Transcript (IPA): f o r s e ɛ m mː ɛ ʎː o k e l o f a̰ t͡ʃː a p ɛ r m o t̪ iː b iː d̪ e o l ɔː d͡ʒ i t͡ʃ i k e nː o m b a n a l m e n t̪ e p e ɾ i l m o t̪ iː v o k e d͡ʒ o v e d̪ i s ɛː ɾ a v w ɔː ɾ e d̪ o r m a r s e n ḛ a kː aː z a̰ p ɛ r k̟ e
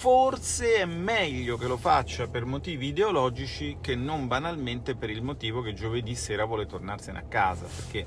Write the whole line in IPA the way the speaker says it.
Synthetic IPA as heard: f o r s e ɛ m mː ɛ ʎː o k e l o f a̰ t͡ʃː a p e r m o t̪ iː v iː d̪ e o l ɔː d͡ʒ i t͡ʃ i k e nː o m b a n a l m e n t̪ e p e ɾ i l m o t̪ iː v o k e d͡ʒ o v e d̪ i s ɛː ɾ a v w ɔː l e t̪ o r n a r s e n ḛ a kː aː z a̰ p e r k̟ e